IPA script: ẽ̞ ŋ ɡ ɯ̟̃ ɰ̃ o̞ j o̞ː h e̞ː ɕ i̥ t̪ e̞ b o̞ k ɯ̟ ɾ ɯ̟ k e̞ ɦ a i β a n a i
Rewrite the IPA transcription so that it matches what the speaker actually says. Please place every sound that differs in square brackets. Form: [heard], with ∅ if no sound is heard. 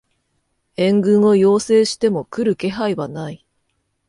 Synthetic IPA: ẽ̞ ŋ ɡ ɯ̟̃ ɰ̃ o̞ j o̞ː [s] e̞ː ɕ i̥ t̪ e̞ [m] o̞ k ɯ̟ ɾ ɯ̟ k e̞ ɦ a i β a n a i